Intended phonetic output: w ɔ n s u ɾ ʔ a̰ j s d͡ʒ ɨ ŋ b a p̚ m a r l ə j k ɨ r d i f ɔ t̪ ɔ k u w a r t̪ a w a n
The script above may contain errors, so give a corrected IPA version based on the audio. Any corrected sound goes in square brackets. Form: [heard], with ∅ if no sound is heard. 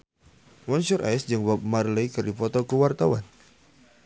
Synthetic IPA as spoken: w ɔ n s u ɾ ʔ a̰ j s d͡ʒ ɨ ŋ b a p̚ m a r l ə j k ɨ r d i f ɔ t̪ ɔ k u w a r t̪ a w a n